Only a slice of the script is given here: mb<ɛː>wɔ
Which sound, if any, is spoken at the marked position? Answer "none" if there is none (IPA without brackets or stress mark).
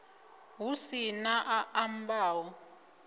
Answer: aː